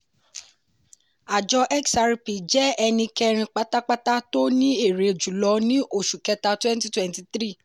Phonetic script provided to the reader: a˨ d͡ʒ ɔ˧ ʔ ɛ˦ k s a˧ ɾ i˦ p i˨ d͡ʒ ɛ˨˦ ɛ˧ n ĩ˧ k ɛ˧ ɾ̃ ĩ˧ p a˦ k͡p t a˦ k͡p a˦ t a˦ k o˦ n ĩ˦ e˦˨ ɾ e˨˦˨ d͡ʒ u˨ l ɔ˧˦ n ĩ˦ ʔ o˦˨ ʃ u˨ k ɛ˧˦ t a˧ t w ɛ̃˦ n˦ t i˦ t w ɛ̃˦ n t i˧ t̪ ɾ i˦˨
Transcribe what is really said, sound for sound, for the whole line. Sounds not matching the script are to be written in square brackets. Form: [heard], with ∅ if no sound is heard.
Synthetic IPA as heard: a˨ d͡ʒ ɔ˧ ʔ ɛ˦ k s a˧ ɾ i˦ p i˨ d͡ʒ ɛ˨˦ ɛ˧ n ĩ˧ k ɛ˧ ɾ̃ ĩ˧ [k͡p] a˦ k͡p t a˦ k͡p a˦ t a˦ [t] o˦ n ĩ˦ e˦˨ ɾ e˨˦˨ d͡ʒ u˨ l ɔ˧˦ n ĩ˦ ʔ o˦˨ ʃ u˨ k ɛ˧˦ t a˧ t w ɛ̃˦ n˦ t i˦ t w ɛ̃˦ n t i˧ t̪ ɾ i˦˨